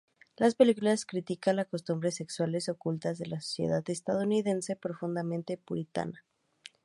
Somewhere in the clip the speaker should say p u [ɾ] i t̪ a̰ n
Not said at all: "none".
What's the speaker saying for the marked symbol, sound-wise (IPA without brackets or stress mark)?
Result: ɾ